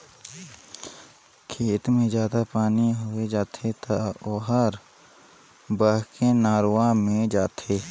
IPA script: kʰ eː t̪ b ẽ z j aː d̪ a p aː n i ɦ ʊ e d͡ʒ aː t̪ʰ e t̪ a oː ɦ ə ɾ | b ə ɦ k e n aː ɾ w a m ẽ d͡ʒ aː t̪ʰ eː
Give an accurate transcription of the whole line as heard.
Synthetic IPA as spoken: kʰ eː t̪ m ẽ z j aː d̪ a p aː n i ɦ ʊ e d͡ʒ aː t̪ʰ e t̪ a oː ɦ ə ɾ | b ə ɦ k e n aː ɾ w a m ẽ d͡ʒ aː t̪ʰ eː